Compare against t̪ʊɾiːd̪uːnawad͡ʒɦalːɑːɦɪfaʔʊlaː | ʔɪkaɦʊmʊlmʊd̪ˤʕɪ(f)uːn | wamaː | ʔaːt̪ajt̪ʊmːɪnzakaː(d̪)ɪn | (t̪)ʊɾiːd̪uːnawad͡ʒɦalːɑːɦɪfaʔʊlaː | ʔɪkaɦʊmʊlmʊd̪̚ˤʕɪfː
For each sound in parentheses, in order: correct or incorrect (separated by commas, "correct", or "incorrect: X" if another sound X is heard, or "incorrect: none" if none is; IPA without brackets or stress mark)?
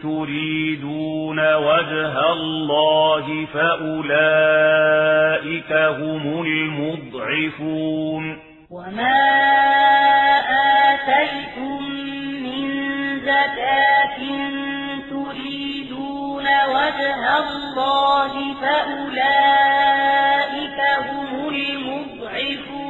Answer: correct, incorrect: t̪, correct